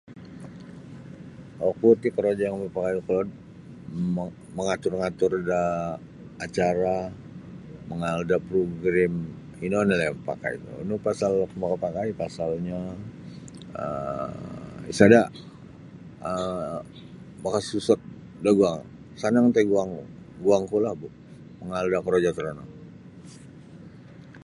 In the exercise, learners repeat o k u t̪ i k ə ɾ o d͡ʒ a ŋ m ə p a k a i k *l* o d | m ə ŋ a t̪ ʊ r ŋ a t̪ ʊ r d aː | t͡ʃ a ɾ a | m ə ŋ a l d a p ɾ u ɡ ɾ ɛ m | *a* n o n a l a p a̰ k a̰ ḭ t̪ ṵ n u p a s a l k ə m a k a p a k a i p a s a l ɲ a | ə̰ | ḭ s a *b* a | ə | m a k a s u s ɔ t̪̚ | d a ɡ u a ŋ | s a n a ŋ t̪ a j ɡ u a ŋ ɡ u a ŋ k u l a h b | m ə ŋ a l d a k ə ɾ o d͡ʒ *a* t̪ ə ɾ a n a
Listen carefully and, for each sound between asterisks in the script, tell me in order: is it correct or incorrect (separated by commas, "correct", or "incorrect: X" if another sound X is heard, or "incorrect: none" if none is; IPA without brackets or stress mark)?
correct, incorrect: i, incorrect: d, correct